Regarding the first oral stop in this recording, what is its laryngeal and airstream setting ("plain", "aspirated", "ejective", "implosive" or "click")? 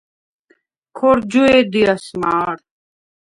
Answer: aspirated